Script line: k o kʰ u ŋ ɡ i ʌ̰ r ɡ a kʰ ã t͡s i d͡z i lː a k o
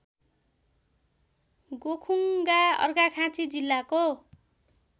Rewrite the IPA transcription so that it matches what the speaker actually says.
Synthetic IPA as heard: ɡ o kʰ u ŋ ɡ a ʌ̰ r ɡ a kʰ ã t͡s i d͡z i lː a k o